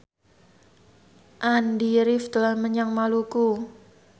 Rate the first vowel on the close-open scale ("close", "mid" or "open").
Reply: open